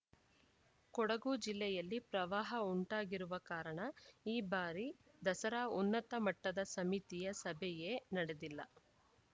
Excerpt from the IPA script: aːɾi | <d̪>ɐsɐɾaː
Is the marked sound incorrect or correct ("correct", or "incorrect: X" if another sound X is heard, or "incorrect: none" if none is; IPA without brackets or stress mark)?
correct